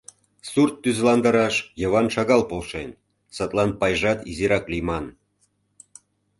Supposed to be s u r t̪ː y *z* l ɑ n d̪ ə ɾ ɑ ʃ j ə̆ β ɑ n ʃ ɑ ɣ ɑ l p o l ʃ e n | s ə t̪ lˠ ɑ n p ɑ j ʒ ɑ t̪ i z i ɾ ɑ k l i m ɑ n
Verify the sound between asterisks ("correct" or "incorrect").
correct